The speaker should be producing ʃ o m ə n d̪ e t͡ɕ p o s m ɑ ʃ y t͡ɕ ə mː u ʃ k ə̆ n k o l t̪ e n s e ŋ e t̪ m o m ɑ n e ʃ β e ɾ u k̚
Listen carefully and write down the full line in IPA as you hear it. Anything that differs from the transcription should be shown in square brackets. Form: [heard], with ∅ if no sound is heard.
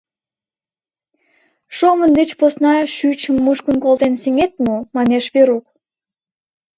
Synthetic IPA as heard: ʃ o m ə n d̪ e t͡ɕ p o s [n] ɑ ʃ y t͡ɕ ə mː u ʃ k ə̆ n k o l t̪ e n s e ŋ e t̪ m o m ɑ n e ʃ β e ɾ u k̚